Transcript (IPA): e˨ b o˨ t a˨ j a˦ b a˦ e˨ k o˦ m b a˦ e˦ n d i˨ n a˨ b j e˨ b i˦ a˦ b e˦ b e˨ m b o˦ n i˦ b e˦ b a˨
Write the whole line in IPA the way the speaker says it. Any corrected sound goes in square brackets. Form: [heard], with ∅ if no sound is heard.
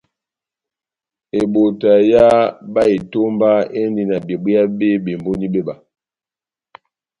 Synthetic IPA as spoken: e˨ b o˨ t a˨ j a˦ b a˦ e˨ [t] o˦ m b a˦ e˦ n d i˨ n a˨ b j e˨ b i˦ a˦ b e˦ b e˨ m b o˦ n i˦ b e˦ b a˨